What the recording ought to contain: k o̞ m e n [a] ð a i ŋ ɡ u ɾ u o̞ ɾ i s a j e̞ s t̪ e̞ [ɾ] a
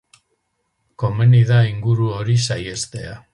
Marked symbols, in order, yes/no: no, no

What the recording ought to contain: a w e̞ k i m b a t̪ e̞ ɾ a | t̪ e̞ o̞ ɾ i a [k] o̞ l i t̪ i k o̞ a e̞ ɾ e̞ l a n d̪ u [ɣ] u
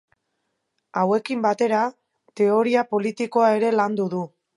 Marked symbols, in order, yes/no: no, no

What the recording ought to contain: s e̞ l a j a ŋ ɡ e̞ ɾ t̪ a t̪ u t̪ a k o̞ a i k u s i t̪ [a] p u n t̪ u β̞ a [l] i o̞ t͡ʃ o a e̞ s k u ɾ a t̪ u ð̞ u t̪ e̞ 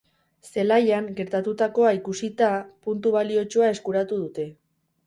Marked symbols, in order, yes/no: yes, yes

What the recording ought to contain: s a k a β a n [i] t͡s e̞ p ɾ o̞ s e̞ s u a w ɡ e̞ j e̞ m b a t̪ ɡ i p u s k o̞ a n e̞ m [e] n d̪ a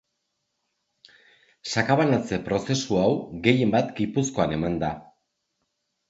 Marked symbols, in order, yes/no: no, no

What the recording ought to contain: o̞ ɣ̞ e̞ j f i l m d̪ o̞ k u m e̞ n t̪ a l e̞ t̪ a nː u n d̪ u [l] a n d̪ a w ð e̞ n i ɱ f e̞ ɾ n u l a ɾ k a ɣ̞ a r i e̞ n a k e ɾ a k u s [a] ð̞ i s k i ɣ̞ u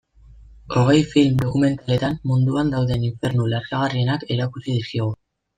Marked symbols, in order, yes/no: no, no

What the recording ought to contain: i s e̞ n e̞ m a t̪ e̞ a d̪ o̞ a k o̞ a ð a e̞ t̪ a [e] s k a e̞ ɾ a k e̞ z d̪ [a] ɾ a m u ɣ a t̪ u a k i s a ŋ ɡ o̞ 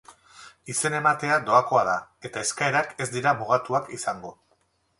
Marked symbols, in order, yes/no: yes, no

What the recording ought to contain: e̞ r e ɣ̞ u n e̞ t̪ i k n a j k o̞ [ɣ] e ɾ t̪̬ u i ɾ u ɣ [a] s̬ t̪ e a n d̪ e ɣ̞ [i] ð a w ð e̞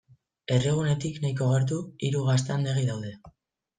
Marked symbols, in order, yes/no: yes, yes, yes

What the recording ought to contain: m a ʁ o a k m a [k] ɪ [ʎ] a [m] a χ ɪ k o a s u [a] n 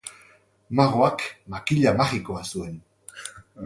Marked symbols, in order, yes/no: yes, yes, yes, no

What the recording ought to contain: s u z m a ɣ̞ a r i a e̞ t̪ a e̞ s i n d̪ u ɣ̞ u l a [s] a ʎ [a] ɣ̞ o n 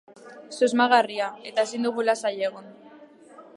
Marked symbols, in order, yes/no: yes, no

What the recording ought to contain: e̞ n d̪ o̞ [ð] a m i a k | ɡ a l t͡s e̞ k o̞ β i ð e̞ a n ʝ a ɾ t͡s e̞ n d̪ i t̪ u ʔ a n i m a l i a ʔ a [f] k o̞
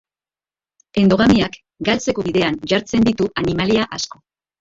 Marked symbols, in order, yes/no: no, no

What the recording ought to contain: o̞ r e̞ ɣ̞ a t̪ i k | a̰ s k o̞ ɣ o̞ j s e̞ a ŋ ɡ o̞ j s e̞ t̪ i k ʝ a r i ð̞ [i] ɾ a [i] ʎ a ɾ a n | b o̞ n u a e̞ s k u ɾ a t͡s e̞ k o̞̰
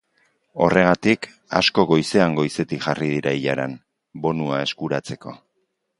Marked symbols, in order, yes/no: yes, yes

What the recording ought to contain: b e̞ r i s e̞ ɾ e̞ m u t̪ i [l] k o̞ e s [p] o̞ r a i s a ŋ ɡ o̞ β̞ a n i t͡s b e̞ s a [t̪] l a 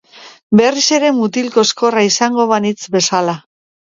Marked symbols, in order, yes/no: yes, no, no

